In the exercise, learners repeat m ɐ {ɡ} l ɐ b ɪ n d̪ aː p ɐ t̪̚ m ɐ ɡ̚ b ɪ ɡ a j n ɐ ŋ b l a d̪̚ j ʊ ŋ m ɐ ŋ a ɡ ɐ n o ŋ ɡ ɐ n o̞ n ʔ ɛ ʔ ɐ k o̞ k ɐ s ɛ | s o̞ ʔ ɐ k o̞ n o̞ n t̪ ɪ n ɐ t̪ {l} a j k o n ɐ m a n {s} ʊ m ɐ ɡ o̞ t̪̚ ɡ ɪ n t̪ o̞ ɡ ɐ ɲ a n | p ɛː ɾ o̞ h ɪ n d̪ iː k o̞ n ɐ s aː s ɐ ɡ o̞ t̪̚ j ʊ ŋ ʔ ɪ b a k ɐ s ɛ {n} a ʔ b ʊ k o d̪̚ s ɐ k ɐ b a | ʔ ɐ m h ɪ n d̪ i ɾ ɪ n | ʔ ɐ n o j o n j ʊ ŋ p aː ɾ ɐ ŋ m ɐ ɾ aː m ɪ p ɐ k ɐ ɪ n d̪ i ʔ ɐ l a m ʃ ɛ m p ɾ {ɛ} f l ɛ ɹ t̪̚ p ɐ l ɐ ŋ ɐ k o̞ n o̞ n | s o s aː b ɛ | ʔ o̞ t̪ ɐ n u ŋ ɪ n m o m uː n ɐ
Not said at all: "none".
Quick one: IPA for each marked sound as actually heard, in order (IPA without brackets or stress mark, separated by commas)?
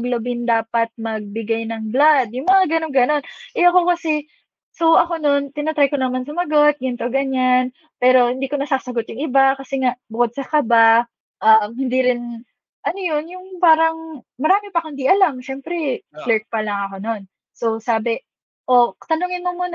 ɡ, ɾ, s, ŋ, ɛ